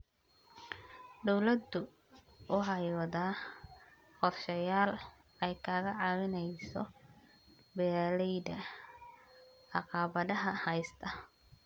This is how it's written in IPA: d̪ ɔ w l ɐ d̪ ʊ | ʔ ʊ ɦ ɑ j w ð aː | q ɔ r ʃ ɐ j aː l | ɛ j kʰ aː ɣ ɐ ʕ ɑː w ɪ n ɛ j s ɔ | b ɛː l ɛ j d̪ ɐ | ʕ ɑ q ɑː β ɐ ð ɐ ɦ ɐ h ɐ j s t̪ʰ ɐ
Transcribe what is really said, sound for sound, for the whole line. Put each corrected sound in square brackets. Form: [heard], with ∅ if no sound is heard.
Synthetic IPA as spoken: d̪ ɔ w l ɐ d̪ ʊ | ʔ ʊ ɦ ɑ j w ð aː | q ɔ r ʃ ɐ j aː l | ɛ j kʰ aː ɣ ɐ ʕ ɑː w ɪ n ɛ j s ɔ | b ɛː l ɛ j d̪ ɐ | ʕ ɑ q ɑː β ɐ ð ɐ ɦ ɐ h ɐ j s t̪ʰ ɐ